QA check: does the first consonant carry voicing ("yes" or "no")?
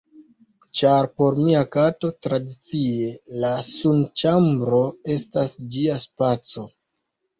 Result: no